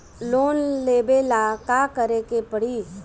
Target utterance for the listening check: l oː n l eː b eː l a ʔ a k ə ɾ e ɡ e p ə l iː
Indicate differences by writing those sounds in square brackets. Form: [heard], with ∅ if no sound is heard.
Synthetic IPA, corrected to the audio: l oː n l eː b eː l a [k] a k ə ɾ e [k] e p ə [ɽ] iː